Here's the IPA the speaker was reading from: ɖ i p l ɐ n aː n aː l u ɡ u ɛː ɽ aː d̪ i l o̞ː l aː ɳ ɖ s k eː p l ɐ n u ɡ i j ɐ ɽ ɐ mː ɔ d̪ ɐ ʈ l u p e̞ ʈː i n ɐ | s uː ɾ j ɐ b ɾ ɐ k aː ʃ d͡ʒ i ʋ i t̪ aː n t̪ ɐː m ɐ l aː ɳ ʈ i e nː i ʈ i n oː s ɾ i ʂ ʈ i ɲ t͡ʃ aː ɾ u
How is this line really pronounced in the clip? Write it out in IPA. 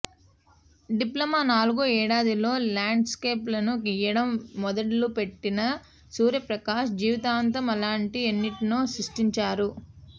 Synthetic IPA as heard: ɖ i p l ɐ m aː n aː l u ɡ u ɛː ɽ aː d̪ i l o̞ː l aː ɳ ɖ s k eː p l ɐ n u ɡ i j ɐ ɽ ɐ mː ɔ d̪ ɐ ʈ l u p e̞ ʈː i n ɐ | s uː ɾ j ɐ p ɾ ɐ k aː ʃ d͡ʒ iː ʋ i t̪ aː n t̪ ɐ m ɐ l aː ɳ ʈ i e nː i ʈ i n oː s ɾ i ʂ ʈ i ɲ t͡ʃ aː ɾ u